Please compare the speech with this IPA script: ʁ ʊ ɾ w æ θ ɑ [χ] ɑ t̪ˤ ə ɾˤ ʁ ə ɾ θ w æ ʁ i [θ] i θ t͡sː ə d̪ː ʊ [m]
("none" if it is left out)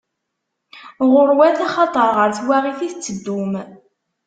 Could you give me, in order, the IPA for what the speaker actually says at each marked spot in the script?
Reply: χ, θ, m

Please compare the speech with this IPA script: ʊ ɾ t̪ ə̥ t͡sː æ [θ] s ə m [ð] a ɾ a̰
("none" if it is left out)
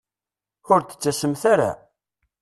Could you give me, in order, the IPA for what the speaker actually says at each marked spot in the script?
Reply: none, θ

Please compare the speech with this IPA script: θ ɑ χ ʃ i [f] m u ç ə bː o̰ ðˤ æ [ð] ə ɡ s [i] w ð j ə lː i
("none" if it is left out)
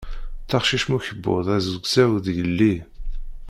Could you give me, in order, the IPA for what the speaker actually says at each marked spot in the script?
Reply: ʃ, z, æ

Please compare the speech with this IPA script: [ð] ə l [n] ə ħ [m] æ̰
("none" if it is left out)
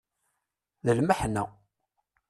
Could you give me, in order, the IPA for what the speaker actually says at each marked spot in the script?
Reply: ð, m, n

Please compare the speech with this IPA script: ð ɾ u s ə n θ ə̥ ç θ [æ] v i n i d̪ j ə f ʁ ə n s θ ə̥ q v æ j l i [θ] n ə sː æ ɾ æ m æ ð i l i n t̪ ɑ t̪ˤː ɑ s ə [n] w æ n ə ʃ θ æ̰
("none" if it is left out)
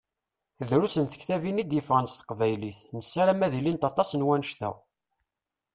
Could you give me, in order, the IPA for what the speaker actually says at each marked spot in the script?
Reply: æ, θ, n

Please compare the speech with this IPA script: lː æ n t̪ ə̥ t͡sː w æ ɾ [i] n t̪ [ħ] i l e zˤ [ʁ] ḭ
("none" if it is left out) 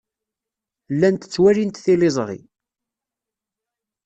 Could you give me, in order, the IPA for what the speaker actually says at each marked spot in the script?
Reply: i, θ, ʁ

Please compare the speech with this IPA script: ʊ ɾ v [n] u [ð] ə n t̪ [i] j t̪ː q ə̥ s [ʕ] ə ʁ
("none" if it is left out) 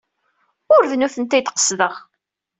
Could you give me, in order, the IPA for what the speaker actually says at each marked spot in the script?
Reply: n, θ, æ, ð

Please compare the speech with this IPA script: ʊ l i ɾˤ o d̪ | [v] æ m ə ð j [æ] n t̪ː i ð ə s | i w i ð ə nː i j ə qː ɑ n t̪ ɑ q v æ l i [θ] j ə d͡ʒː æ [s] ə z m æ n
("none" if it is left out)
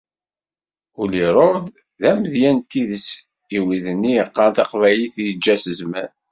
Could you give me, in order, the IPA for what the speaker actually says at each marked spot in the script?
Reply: ð, æ, θ, s

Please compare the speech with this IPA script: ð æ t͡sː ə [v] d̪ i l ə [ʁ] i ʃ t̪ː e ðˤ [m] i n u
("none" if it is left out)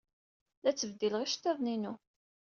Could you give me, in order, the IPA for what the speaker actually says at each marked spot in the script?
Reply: v, ʁ, n

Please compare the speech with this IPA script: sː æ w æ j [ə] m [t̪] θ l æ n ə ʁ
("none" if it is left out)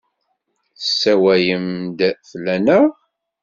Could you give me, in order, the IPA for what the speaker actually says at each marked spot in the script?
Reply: ə, d̪

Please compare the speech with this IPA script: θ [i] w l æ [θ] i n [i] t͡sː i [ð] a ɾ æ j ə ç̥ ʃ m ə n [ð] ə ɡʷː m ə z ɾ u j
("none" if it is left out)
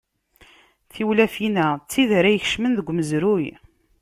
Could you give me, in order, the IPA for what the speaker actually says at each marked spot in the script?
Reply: i, f, æ, ð, ð

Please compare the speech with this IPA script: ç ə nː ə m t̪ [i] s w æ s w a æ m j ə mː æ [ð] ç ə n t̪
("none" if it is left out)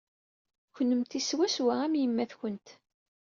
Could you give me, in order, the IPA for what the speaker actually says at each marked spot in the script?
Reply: i, θ

